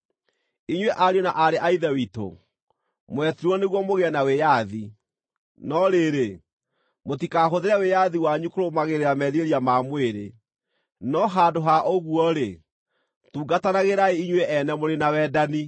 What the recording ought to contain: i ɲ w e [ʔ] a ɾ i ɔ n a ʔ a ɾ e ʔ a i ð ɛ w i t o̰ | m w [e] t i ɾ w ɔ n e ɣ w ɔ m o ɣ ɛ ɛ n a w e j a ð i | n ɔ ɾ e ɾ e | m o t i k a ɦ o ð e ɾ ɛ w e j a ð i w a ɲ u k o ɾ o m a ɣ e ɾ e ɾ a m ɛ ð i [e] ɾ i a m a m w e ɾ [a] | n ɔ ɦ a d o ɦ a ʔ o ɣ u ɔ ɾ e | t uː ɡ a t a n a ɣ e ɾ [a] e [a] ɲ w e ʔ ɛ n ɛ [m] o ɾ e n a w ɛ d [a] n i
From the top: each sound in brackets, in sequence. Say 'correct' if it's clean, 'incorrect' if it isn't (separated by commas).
correct, incorrect, correct, incorrect, correct, incorrect, correct, correct